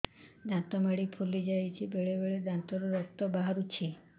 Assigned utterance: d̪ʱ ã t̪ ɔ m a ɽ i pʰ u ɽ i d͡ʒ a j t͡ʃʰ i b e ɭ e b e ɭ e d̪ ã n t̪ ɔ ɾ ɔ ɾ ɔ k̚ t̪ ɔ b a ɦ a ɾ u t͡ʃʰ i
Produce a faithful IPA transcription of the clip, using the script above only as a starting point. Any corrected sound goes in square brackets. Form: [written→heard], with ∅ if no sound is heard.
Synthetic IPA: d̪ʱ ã t̪ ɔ m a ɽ i pʰ u [ɽ→l] i d͡ʒ a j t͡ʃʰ i b e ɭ e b e ɭ e d̪ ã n t̪ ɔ ɾ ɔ ɾ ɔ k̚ t̪ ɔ b a ɦ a ɾ u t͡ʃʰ i